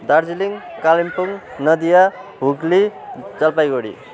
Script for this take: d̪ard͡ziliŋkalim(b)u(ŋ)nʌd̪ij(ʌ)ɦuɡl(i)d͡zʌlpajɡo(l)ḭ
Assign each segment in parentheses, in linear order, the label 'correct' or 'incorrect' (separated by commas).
incorrect, correct, incorrect, correct, incorrect